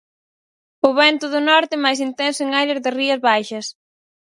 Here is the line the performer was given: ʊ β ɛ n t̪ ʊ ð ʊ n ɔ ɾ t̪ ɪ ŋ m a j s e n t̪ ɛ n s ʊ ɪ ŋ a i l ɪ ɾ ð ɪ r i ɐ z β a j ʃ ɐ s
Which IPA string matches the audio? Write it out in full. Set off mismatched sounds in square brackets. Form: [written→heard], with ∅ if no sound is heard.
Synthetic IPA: ʊ β ɛ n t̪ ʊ ð ʊ n ɔ ɾ t̪ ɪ [ŋ→∅] m a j s [e→i] n t̪ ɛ n s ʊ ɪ ŋ a [i→j] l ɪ ɾ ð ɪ r i ɐ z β a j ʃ ɐ s